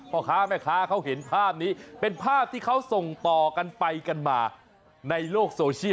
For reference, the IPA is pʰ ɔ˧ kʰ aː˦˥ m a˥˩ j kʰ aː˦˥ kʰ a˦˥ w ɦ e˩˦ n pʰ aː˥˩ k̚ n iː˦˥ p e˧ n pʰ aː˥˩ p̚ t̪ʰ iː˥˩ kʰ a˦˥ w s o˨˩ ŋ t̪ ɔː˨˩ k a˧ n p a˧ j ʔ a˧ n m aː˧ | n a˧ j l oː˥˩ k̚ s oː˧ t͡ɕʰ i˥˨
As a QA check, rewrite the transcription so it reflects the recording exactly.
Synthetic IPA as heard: pʰ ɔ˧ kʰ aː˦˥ m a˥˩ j kʰ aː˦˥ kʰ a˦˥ w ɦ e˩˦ n pʰ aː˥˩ p̚ n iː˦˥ p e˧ n pʰ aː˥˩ p̚ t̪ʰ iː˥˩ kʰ a˦˥ w s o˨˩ ŋ t̪ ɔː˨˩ k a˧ n p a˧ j k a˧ n m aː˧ | n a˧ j l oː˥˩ k̚ s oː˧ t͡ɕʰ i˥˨

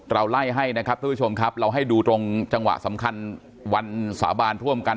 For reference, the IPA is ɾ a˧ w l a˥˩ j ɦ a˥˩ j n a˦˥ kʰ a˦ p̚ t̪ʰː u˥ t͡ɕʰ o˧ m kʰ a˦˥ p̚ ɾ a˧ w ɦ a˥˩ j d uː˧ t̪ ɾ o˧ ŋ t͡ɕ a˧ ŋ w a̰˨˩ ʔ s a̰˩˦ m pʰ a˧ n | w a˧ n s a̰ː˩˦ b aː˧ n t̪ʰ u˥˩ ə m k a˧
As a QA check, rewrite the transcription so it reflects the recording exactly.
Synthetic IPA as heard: ɾ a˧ w l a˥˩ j ɦ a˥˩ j n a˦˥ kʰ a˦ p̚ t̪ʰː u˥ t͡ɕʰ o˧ m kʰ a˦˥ p̚ ɾ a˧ w ɦ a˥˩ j d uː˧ t̪ ɾ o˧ ŋ t͡ɕ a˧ ŋ w a̰˨˩ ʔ s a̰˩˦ m kʰ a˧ n | w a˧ n s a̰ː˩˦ b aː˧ n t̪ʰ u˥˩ ə m k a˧

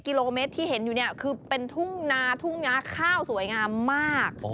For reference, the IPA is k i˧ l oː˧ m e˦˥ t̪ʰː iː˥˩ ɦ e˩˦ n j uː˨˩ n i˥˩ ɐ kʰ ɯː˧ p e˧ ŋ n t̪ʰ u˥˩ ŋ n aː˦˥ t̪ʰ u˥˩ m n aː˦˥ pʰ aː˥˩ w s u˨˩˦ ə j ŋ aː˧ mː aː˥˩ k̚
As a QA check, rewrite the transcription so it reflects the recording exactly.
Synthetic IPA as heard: k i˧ l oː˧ m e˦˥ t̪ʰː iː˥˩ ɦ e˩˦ n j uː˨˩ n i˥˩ ɐ kʰ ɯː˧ p e˧ n t̪ʰ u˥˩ ŋ n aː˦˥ t̪ʰ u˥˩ ŋ n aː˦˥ kʰ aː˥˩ w s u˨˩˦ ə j ŋ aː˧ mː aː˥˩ k̚

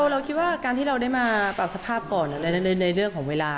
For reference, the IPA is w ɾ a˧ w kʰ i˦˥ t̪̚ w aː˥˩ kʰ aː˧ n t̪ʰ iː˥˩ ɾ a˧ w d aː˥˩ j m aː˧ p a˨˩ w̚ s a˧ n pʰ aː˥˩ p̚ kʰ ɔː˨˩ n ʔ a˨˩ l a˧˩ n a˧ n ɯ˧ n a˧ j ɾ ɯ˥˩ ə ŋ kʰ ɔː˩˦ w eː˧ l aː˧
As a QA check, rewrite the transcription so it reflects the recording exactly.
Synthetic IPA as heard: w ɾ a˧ w kʰ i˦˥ t̪̚ w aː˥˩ k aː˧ n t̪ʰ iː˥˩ ɾ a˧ w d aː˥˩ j m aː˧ p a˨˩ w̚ s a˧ pʰ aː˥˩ p̚ k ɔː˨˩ n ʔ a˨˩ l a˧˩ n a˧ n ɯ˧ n a˧ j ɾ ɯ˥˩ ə ŋ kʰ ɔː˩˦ w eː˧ l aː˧

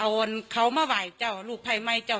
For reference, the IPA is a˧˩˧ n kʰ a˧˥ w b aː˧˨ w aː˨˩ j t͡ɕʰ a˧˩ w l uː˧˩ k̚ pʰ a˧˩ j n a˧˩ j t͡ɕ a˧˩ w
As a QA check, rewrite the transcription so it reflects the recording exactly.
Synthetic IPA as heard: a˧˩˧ n kʰ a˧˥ w m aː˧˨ w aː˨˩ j t͡ɕ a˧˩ w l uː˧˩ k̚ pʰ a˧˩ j m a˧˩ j t͡ɕ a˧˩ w

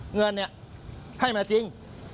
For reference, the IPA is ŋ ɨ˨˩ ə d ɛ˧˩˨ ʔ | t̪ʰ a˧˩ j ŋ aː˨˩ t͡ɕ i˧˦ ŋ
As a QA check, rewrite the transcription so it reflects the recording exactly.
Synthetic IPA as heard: ŋ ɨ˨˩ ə n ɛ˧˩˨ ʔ | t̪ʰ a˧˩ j m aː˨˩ t͡ɕ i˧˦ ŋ

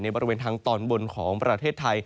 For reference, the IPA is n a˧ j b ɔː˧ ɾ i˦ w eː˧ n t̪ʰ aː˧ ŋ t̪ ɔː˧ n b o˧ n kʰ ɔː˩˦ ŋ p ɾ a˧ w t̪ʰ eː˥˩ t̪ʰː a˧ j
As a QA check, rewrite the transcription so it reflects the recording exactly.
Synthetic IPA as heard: n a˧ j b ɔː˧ ɾ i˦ w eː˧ n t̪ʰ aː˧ ŋ t̪ ɔː˧ n b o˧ n kʰ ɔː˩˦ ŋ p ɾ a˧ t̪ʰ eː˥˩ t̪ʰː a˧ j

